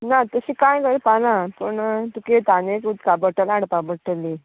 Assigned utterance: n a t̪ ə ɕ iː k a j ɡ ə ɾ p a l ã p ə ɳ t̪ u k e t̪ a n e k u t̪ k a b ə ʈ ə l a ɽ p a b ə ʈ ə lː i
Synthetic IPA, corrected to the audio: n a t̪ ə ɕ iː k a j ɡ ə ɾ p a l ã p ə ɳ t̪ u k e t̪ a n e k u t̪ k a b ə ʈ ə l a ɽ p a b ə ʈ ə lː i